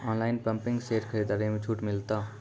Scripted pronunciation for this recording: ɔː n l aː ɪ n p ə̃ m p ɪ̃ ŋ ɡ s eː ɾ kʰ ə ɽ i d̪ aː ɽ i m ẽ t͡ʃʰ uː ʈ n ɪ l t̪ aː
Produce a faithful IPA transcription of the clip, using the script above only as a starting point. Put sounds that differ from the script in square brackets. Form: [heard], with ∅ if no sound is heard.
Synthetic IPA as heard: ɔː n l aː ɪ n p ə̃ m p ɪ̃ ŋ ɡ s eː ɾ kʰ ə [ɾ] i d̪ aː [ɾ] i m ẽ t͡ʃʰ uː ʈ [m] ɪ l t̪ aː